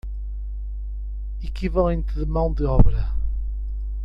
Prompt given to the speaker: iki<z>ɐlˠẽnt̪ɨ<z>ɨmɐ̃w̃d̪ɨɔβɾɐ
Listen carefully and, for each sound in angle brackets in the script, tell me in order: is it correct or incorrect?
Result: incorrect, incorrect

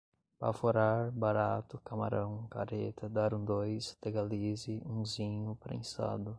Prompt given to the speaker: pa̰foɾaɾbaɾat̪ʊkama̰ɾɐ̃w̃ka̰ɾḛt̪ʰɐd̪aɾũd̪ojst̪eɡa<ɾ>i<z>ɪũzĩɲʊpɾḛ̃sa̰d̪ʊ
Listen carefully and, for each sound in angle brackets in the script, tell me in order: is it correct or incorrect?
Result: incorrect, correct

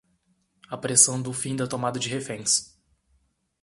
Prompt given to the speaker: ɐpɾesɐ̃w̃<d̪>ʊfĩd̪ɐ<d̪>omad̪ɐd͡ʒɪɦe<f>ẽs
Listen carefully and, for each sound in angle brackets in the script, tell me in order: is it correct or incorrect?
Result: correct, incorrect, correct

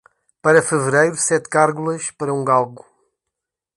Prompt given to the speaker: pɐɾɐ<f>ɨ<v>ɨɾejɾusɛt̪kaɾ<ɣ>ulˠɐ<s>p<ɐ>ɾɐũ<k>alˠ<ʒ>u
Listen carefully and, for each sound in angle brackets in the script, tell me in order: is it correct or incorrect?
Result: correct, correct, correct, incorrect, correct, incorrect, incorrect

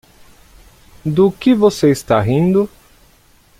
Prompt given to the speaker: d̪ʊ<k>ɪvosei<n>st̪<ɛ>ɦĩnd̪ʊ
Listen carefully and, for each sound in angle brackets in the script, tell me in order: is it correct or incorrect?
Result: correct, incorrect, incorrect

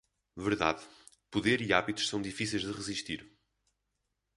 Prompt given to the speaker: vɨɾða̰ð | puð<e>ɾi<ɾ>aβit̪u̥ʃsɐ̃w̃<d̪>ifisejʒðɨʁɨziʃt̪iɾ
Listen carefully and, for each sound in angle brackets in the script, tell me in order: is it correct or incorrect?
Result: correct, incorrect, correct

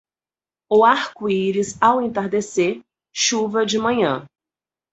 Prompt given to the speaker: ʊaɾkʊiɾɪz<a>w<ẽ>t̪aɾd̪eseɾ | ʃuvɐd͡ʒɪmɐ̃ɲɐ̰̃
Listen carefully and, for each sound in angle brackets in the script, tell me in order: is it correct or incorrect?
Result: correct, correct

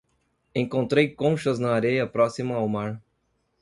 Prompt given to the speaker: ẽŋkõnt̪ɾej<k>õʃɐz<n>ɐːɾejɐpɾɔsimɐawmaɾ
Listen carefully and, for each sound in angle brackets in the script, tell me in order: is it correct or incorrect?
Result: correct, correct

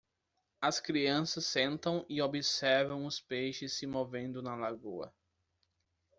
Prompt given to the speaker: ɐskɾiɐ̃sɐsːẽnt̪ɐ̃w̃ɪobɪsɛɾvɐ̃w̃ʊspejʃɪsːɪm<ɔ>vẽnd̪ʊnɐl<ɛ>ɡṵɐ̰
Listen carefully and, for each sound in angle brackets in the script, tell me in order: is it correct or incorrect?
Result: incorrect, incorrect

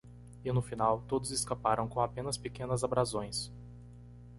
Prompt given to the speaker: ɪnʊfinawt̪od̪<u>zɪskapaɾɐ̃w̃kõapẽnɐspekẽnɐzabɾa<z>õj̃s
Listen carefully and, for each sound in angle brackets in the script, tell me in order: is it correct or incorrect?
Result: incorrect, correct

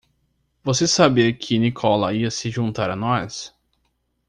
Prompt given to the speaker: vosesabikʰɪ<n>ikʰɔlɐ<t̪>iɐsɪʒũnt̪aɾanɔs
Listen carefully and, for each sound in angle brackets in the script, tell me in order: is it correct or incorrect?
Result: correct, incorrect

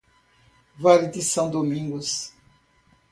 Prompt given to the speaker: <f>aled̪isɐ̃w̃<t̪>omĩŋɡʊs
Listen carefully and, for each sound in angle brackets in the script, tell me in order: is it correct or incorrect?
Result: incorrect, incorrect

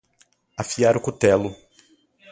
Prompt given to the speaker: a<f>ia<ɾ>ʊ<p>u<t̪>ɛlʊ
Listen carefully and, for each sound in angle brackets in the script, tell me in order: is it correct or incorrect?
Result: correct, correct, incorrect, correct

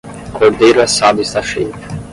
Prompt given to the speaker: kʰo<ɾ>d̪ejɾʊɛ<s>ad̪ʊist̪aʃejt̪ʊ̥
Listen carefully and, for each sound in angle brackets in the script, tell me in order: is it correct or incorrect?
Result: correct, correct

